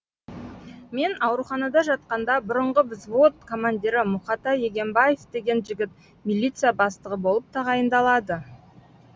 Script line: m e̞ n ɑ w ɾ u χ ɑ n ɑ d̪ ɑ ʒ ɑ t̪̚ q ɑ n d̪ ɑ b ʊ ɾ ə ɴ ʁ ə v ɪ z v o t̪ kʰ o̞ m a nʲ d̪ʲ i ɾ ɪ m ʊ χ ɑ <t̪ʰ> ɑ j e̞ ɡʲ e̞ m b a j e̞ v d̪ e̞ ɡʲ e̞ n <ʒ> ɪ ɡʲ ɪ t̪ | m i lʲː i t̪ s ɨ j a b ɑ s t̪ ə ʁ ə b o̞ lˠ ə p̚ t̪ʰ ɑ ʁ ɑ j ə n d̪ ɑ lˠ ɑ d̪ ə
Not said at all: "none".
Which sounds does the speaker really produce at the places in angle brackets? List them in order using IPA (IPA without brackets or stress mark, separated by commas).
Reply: t̪, ʒ